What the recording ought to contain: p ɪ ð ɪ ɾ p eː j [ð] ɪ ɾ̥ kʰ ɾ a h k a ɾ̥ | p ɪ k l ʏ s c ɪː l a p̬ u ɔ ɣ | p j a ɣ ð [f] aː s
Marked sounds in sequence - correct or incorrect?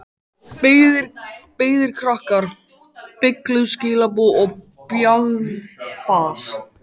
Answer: correct, correct

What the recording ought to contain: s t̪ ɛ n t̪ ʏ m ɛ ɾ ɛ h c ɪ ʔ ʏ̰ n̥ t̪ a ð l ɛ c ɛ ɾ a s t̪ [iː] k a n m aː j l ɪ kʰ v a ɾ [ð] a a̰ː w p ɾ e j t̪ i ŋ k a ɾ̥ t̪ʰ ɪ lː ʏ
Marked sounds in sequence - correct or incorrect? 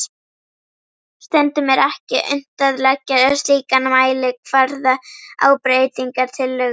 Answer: correct, correct

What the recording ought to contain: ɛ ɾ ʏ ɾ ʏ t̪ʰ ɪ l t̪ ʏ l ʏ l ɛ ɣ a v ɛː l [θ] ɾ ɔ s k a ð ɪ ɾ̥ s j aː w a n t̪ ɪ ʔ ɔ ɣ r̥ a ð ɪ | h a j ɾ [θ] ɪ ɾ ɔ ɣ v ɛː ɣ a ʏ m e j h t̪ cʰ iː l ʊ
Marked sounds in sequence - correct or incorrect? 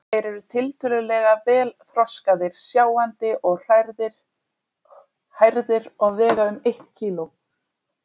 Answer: correct, incorrect: ð

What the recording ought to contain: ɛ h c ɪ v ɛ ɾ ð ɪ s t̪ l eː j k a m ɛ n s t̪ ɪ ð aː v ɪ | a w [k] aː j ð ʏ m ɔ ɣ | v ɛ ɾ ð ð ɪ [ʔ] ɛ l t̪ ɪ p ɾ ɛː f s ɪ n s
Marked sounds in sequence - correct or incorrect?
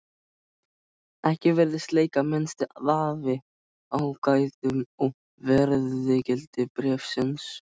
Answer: correct, incorrect: c

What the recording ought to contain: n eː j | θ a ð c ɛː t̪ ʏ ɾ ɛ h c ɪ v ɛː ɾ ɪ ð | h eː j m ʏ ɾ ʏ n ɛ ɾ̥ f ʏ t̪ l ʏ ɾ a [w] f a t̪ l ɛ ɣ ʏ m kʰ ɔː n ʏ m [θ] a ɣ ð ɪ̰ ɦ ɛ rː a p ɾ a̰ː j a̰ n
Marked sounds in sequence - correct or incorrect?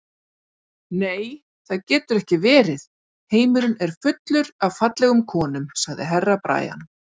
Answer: incorrect: v, incorrect: s

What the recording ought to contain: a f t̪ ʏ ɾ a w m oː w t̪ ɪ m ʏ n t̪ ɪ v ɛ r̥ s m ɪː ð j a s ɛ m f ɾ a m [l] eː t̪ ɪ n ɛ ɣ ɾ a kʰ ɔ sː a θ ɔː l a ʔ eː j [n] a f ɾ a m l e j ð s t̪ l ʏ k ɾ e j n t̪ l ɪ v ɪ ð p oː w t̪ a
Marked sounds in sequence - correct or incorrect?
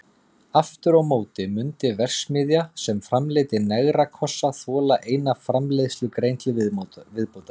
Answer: correct, correct

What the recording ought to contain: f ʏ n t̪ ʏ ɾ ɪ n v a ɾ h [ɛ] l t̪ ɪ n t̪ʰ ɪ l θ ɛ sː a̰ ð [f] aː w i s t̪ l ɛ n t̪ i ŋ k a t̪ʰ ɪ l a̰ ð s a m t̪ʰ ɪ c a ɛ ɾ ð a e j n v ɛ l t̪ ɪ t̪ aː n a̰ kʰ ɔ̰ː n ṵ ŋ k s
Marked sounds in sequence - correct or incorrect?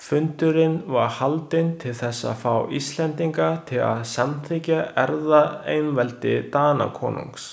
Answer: incorrect: a, correct

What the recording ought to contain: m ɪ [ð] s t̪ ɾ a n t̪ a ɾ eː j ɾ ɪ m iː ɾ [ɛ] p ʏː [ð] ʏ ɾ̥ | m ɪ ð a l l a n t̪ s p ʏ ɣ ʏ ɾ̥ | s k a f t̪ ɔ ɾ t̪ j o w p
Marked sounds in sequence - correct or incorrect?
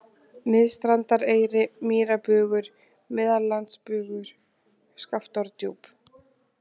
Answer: correct, incorrect: a, incorrect: ɣ

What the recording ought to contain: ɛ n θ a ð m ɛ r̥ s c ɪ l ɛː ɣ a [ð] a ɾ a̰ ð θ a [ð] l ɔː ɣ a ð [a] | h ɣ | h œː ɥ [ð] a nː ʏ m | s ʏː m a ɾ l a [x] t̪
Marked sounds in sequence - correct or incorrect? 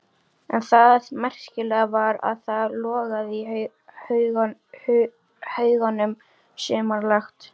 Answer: incorrect: v, correct, incorrect: i, incorrect: ɣ, correct

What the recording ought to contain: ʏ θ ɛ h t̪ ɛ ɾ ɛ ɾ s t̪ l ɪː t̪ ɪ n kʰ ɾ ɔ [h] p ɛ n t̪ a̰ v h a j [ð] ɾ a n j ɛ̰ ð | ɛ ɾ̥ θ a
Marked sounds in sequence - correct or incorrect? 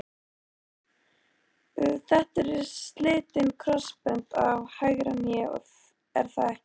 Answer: incorrect: s, incorrect: ɣ

